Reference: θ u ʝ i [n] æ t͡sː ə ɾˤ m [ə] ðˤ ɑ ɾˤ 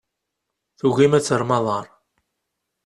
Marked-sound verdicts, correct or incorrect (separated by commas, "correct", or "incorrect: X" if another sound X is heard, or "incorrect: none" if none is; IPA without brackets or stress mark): incorrect: m, incorrect: ɑ